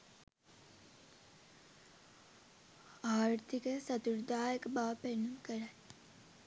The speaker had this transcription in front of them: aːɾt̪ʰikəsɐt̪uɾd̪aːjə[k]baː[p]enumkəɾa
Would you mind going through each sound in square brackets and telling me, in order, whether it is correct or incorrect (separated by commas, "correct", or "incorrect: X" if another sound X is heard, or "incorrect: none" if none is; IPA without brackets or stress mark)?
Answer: correct, correct